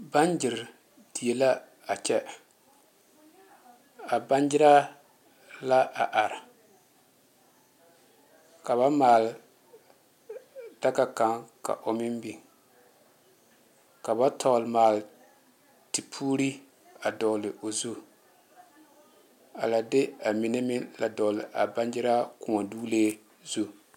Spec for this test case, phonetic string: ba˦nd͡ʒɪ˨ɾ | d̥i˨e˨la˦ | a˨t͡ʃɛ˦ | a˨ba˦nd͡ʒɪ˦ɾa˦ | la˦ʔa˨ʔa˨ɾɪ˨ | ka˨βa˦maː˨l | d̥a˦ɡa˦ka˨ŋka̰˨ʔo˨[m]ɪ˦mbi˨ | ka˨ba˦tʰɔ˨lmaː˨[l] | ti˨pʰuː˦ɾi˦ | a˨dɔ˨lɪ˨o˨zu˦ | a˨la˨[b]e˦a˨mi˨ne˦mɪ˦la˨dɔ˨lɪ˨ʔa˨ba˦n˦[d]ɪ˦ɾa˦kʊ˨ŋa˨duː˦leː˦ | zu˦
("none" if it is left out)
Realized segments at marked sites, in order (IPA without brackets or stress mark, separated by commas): m, l, d, d͡ʒ